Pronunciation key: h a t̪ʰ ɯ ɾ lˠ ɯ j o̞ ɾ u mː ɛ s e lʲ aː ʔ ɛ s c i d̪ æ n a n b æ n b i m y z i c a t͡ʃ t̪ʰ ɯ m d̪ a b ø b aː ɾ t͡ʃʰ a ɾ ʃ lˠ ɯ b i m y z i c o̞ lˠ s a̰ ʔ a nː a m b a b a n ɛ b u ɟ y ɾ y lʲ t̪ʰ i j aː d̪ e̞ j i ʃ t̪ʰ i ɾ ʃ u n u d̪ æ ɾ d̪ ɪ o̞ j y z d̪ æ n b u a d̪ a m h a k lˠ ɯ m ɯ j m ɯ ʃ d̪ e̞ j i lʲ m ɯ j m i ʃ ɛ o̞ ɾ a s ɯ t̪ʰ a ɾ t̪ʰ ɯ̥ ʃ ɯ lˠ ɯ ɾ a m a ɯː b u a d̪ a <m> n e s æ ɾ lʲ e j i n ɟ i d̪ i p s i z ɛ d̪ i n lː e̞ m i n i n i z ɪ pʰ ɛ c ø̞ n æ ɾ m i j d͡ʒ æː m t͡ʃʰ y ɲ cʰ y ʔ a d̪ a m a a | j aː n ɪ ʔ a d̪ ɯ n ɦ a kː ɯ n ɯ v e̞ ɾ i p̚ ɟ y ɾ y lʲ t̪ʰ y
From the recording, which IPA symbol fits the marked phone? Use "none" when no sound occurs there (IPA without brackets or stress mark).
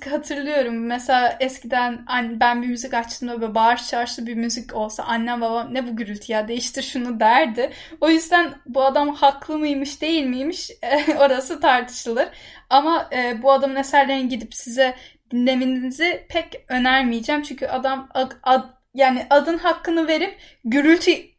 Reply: m